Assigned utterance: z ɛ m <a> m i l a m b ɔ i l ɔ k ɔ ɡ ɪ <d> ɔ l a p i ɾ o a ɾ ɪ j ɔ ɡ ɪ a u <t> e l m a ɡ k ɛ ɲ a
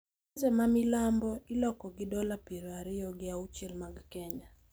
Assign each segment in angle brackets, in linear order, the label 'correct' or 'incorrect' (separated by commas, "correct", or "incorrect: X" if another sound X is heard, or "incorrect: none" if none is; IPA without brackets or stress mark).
correct, correct, incorrect: t͡ʃ